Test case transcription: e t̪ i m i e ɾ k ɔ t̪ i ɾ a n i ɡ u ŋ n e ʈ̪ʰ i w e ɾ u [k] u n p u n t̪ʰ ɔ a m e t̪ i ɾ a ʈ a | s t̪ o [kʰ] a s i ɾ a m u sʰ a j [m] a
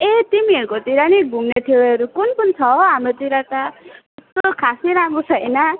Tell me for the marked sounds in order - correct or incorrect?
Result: correct, correct, incorrect: n

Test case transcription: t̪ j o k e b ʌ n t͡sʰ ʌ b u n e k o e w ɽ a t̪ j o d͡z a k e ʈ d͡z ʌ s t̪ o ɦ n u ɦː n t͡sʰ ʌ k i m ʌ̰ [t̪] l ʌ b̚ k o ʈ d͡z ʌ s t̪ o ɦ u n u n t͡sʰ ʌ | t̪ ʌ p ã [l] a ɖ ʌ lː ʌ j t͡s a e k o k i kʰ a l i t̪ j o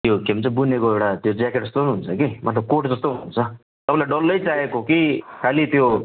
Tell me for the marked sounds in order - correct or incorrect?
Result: correct, correct

